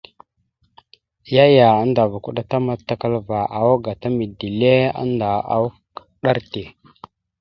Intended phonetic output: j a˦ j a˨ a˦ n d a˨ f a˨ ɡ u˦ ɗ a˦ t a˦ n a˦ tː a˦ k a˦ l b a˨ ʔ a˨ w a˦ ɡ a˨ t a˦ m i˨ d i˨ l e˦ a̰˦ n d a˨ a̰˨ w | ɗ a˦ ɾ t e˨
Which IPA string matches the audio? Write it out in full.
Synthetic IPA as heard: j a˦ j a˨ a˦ n d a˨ v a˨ k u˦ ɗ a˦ t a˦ m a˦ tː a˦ k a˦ l v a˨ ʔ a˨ w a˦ ɡ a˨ t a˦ m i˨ d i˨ l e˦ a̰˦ n d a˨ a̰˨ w | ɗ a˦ ɾ t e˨